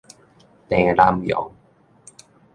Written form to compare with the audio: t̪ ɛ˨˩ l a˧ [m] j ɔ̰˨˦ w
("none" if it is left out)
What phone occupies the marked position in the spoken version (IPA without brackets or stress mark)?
m